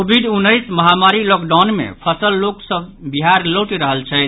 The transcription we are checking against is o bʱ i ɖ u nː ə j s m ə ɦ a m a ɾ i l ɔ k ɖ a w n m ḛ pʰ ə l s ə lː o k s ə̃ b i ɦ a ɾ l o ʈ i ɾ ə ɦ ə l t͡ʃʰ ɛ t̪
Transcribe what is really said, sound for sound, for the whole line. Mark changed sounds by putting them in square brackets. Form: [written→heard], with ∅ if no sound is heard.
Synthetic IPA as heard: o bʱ i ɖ u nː ə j s m ə ɦ a m a ɾ i l ɔ k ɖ a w n m ḛ pʰ ə [l→∅] s ə lː o k s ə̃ b i ɦ a ɾ l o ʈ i ɾ ə ɦ ə l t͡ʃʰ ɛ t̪